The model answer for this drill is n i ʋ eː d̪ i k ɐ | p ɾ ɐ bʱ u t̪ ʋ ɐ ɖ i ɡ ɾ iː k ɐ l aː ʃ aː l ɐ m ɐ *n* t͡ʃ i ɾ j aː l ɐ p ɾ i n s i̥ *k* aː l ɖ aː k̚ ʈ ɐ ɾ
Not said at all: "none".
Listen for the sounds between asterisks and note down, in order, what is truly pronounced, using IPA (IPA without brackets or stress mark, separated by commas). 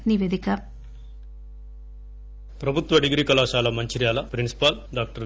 ɲ, p